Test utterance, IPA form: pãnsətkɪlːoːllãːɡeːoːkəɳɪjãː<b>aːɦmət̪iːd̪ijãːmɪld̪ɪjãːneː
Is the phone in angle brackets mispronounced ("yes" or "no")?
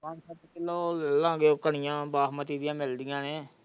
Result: no